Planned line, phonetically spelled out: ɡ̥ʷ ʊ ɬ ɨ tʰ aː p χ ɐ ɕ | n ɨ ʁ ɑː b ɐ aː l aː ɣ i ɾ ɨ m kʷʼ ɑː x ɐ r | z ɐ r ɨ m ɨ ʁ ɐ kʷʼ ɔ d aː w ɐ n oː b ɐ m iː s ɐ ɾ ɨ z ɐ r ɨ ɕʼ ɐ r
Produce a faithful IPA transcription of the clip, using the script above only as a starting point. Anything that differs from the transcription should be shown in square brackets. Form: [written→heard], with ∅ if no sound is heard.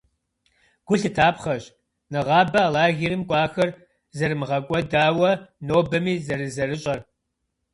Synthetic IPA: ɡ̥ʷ ʊ ɬ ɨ tʰ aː p χ ɐ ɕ | n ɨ ʁ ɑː b ɐ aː l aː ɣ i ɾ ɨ m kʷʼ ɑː x ɐ r | z ɐ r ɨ m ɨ ʁ ɐ kʷʼ ɔ d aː w ɐ n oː b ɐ m iː [s→z] ɐ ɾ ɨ z ɐ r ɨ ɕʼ ɐ r